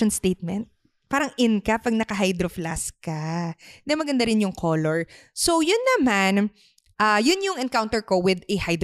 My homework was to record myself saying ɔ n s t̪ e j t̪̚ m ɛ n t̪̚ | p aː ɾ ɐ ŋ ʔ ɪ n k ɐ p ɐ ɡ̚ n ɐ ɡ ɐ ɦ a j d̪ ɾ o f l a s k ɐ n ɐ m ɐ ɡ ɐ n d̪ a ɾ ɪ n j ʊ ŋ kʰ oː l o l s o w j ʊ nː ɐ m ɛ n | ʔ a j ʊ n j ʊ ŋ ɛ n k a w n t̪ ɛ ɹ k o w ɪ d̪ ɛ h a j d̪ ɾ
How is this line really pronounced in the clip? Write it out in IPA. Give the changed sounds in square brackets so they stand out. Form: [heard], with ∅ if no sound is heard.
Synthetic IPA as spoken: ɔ n s t̪ e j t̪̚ m ɛ n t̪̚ | p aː ɾ ɐ ŋ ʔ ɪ n k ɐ p ɐ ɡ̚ n ɐ [k] ɐ ɦ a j d̪ ɾ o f l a s k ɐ n ɐ m ɐ ɡ ɐ n d̪ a ɾ ɪ n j ʊ ŋ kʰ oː l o [ɹ] s o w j ʊ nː ɐ m [a] n | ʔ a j ʊ n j ʊ ŋ ɛ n k a w n t̪ ɛ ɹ k o w ɪ d̪ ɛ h a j d̪ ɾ